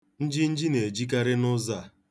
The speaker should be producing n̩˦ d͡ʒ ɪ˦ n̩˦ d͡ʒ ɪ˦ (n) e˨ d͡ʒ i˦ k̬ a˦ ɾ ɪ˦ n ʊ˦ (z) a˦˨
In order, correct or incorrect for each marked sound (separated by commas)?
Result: correct, correct